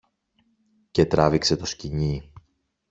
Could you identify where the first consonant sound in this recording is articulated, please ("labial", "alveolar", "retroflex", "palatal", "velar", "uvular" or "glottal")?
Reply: palatal